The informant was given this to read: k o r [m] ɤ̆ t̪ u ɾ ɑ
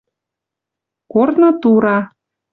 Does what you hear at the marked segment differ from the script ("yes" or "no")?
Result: yes